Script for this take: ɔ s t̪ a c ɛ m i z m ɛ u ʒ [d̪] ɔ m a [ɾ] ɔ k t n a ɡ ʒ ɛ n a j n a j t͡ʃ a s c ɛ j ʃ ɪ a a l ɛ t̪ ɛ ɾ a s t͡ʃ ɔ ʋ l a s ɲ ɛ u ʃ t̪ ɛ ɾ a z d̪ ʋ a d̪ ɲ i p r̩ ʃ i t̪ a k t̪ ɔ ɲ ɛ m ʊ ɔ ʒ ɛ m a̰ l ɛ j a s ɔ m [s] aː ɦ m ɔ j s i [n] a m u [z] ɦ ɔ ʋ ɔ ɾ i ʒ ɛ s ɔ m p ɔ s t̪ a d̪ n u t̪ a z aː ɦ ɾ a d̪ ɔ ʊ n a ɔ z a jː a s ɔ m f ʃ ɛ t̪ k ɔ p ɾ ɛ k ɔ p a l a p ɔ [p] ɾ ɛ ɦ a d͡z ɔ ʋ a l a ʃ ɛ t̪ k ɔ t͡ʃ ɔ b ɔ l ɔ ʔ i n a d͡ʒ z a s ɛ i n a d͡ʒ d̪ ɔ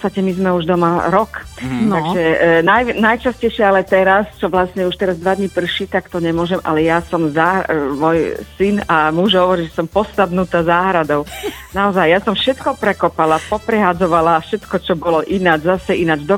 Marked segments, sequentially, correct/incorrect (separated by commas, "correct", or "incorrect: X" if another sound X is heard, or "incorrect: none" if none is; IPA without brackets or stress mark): correct, correct, incorrect: z, correct, incorrect: ʒ, correct